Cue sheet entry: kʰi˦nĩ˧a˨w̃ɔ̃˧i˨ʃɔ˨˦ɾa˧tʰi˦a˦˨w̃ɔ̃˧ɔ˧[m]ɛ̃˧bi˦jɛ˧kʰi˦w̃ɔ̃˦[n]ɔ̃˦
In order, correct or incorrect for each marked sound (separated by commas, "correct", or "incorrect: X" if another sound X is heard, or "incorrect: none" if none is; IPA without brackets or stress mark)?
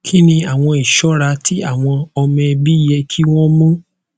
correct, incorrect: m